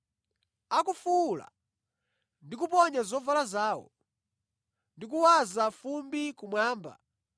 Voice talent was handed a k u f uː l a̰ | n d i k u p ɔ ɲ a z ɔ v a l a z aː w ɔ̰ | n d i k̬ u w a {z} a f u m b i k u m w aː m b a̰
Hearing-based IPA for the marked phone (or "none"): z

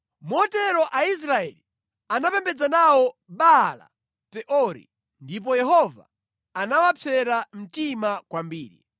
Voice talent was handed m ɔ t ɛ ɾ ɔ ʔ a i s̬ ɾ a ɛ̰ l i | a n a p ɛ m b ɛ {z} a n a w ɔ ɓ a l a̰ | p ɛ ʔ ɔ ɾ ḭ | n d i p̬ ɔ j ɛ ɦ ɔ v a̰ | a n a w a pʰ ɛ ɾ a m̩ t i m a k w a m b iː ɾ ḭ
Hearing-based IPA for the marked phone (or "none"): d͡z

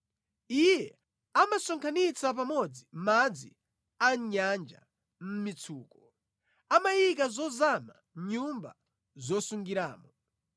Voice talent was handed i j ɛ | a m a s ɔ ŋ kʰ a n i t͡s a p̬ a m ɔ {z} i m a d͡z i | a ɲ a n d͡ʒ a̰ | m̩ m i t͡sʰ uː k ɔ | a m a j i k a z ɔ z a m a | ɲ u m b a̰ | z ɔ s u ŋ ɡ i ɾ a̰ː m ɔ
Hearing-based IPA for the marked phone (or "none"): d͡z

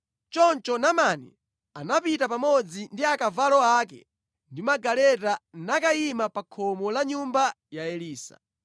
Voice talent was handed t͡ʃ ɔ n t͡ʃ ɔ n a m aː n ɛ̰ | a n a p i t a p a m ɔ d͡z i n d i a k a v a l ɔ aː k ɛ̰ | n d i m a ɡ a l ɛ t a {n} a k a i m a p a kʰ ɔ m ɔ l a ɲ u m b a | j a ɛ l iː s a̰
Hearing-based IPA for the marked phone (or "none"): n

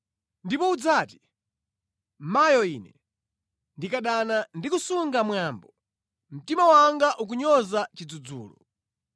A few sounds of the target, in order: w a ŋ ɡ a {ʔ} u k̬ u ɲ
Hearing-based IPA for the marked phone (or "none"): ʔ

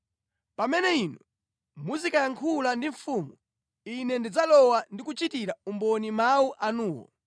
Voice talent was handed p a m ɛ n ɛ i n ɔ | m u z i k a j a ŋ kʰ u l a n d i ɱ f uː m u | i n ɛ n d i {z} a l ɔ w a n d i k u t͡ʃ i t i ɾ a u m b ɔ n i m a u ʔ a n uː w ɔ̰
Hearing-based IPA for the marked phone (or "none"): d͡z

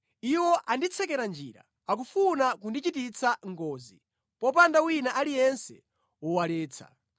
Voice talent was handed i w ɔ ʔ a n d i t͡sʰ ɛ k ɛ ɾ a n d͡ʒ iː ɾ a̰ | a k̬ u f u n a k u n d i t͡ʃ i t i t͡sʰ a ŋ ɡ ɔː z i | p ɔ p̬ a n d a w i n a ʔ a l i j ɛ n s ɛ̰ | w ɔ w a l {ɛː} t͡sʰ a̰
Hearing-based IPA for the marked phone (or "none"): ɛː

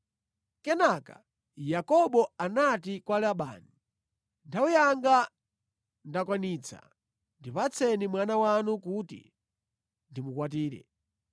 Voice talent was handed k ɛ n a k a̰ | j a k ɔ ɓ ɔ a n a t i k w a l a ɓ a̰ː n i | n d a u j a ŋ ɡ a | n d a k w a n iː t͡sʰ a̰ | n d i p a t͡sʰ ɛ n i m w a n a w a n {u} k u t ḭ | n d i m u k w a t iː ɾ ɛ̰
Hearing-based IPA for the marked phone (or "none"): u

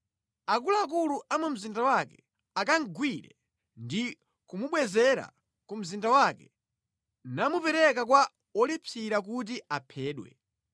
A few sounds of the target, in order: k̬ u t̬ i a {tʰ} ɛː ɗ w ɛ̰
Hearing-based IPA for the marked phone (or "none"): pʰ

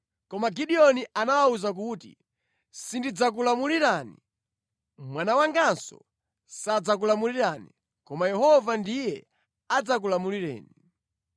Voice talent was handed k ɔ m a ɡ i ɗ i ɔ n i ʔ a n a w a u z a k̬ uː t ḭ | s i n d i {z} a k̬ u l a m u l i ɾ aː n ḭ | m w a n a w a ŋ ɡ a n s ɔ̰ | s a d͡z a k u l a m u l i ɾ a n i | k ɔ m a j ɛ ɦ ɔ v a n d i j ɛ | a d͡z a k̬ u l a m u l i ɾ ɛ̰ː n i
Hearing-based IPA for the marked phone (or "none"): d͡z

